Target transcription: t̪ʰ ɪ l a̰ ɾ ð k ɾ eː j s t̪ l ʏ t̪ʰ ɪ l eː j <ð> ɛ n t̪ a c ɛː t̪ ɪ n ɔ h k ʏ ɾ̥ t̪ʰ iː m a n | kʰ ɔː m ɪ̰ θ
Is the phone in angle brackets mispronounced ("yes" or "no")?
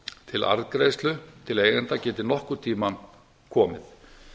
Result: yes